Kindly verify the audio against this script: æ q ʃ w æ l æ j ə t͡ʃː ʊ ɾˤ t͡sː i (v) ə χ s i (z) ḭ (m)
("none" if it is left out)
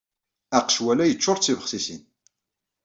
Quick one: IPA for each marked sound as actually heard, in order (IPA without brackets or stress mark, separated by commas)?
v, s, n